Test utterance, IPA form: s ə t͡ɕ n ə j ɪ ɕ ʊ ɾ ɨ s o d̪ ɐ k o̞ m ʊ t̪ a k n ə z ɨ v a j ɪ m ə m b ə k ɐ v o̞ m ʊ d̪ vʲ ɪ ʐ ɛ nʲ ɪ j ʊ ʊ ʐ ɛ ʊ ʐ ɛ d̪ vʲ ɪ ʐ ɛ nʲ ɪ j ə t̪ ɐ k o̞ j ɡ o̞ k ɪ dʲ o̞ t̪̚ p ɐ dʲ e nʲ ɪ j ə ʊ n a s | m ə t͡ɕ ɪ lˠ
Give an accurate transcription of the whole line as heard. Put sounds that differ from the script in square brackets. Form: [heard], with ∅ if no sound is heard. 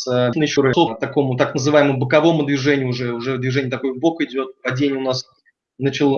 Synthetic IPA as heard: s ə [∅] n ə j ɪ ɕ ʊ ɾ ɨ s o [t̪] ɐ k o̞ m ʊ t̪ a k n ə z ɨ v a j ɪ m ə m b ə k ɐ v o̞ m ʊ d̪ vʲ ɪ ʐ ɛ nʲ ɪ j ʊ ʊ ʐ ɛ ʊ ʐ ɛ d̪ vʲ ɪ ʐ ɛ nʲ ɪ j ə t̪ ɐ k o̞ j [b] o̞ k ɪ dʲ o̞ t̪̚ p ɐ dʲ e nʲ ɪ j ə ʊ n a s | [n] ə t͡ɕ ɪ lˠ